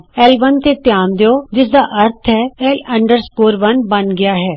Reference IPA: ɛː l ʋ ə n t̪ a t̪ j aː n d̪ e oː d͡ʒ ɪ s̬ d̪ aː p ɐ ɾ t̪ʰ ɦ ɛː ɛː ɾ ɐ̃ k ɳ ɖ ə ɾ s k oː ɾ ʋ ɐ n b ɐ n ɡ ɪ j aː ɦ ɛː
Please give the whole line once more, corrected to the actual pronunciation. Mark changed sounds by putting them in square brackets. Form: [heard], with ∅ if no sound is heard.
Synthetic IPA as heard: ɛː l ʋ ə n t̪ [e] t̪ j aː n d̪ e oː d͡ʒ ɪ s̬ d̪ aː [ʔ] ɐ ɾ t̪ʰ ɦ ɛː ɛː [l] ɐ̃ [∅] ɳ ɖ ə ɾ s k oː ɾ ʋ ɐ n b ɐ n ɡ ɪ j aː ɦ ɛː